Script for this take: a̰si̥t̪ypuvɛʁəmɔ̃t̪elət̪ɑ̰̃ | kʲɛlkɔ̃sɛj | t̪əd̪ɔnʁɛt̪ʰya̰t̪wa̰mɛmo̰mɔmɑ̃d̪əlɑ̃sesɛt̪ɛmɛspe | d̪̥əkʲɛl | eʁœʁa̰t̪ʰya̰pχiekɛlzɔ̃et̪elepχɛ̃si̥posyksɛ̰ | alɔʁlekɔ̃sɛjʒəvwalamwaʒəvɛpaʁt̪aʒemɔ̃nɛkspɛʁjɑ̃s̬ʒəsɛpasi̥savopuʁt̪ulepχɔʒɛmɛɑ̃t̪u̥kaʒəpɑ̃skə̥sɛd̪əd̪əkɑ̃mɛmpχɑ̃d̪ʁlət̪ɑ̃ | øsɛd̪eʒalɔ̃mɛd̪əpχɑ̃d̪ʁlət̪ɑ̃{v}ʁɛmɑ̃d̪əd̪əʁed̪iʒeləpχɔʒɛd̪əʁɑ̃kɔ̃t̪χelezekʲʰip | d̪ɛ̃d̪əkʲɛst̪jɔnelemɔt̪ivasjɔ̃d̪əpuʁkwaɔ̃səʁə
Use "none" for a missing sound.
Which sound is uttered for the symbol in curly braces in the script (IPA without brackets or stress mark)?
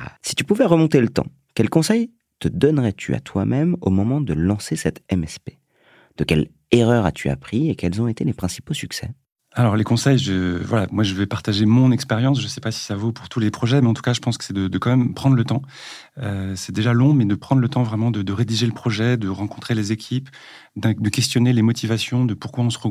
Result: v